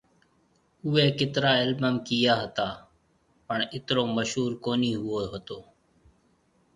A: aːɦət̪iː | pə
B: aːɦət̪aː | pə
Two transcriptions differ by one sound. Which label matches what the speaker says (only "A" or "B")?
B